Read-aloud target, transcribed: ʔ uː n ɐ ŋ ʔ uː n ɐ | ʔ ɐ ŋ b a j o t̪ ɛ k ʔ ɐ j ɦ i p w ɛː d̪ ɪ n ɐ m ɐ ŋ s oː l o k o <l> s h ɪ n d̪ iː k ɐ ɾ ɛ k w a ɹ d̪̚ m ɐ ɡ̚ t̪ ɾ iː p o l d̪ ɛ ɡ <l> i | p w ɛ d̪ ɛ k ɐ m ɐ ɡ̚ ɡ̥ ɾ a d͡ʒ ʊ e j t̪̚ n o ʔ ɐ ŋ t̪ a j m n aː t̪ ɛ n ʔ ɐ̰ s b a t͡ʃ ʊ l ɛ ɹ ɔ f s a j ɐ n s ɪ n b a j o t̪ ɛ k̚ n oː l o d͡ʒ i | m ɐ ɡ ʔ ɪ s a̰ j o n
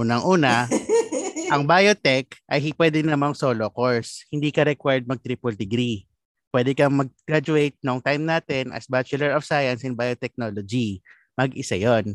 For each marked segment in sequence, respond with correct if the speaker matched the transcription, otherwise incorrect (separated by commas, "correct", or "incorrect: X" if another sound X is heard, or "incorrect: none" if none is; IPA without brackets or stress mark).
incorrect: ɹ, incorrect: ɾ